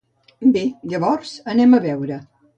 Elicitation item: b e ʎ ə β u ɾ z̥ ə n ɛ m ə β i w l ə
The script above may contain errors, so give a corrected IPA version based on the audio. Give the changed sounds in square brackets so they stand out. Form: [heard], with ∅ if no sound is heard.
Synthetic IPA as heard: b e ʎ ə β [ɔ] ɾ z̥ ə n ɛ m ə β [ɛ] w [ɾ] ə